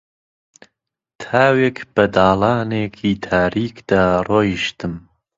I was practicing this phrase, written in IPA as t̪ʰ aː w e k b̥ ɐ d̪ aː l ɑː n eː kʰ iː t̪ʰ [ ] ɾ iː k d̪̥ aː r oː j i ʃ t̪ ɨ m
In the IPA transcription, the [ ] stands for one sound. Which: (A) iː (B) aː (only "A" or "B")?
B